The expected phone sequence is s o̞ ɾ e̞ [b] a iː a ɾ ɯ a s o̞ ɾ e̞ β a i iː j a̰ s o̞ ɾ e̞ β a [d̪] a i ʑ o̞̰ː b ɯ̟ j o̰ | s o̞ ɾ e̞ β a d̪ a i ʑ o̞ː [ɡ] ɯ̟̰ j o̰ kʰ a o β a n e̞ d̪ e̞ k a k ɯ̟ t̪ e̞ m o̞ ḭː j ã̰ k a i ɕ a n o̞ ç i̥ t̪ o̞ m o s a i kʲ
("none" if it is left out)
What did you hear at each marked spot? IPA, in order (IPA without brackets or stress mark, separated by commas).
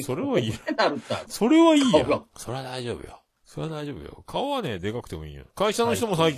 β, d̪, b